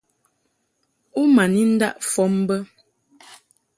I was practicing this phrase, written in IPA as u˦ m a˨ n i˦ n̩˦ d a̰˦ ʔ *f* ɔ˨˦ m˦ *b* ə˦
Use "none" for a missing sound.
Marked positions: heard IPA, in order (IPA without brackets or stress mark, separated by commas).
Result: f, b